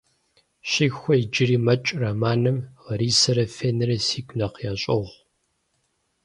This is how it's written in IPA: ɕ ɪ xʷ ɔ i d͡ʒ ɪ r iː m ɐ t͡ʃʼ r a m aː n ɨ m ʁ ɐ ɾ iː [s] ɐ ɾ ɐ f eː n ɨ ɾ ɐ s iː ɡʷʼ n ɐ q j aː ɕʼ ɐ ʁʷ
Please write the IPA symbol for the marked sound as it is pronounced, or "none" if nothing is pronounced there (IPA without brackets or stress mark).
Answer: s